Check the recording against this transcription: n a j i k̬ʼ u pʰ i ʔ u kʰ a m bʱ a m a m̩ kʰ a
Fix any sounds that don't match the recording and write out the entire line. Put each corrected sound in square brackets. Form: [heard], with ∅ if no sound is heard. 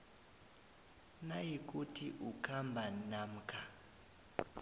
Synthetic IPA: n a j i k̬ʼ u [tʰ] i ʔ u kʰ a m bʱ a [n] a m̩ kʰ a